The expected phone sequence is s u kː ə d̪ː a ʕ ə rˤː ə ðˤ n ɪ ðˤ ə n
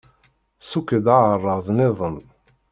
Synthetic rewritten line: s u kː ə d̪ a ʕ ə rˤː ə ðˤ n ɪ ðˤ ə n

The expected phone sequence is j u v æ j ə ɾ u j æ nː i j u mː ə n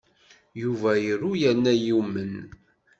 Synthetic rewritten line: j u v æ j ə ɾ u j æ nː æ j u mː ə n

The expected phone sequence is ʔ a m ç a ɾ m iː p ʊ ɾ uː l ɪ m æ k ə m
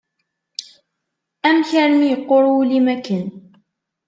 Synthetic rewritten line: ʔ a m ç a ɾ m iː q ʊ ɾ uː l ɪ m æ k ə n

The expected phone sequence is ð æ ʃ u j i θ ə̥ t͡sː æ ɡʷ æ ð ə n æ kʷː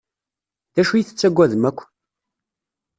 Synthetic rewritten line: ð æ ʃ u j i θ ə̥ t͡sː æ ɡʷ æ ð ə m æ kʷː

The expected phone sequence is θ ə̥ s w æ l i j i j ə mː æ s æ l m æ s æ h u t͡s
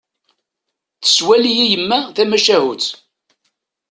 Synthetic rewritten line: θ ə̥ s w æ l i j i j ə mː æ θ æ m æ ʃ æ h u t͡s

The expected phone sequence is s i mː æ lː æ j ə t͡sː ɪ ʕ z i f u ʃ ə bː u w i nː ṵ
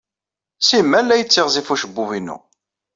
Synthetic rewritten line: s i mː æ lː æ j ə t͡sː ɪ ʁ z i f u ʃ ə bː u v i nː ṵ

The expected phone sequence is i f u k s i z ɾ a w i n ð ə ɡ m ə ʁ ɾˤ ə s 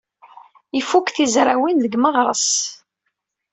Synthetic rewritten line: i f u k θ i z ɾ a w i n ð ə ɡ m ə ʁ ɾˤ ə s

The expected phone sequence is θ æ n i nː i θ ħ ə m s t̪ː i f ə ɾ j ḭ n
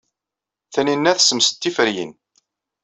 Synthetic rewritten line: θ æ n i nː æ θ s ə m s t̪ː i f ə ɾ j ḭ n

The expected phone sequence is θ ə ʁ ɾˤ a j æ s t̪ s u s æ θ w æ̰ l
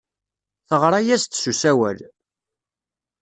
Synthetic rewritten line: θ ə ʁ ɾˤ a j æ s t̪ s u s æ w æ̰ l

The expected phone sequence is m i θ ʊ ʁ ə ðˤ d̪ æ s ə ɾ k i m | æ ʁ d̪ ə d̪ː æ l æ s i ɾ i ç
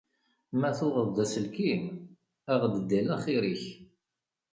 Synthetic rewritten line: m æ θ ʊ ʁ ə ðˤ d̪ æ s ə l k i m | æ ʁ d̪ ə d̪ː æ l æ χ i ɾ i ç

